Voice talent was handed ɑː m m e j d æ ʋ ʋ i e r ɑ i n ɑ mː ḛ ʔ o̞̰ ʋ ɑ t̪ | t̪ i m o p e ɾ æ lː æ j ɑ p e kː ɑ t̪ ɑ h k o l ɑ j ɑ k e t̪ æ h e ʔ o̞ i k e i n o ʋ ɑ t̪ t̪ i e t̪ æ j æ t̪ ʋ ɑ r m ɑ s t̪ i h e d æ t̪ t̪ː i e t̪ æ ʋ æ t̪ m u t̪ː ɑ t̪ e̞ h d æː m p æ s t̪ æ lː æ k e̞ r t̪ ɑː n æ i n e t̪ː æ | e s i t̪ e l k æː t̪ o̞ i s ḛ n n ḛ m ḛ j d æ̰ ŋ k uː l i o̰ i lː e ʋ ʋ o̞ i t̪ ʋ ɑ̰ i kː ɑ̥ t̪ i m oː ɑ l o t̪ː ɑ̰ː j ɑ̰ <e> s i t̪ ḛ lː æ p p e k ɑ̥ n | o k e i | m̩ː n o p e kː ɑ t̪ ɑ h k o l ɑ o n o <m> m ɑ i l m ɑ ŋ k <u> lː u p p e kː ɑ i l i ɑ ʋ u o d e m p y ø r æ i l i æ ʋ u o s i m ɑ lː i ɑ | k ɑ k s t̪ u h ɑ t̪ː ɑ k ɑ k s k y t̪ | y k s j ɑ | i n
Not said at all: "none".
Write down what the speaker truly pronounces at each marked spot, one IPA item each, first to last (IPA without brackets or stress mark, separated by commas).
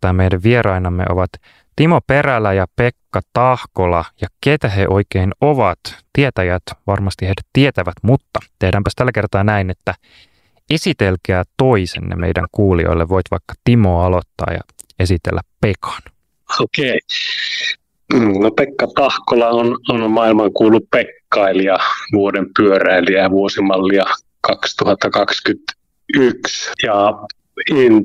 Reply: e, n, uː